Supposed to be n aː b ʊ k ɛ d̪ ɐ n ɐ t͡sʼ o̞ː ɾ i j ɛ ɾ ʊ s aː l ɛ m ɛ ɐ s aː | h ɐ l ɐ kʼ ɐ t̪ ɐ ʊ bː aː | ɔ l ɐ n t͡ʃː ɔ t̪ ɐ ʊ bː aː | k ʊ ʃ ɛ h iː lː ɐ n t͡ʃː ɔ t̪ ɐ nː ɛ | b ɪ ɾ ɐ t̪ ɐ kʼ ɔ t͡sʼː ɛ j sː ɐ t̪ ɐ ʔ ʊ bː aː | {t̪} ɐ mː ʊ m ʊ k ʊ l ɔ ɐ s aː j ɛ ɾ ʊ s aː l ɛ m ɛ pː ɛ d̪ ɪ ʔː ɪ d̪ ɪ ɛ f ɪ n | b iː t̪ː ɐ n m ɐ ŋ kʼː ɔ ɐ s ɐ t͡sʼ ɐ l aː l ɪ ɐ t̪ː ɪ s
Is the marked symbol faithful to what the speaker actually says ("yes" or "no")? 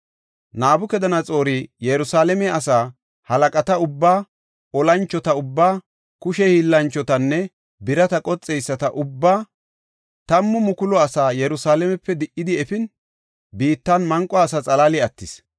yes